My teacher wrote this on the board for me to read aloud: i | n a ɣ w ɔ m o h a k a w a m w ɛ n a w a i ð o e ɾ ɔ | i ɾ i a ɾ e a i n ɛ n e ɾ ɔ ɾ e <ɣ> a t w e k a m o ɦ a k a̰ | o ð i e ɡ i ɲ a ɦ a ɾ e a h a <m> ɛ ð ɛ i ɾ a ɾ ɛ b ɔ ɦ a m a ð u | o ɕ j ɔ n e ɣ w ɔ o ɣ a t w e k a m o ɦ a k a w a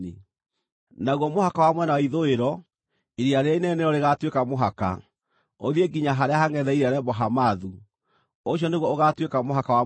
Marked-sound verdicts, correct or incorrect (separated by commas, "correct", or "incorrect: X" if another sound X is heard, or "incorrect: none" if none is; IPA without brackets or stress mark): correct, incorrect: ŋ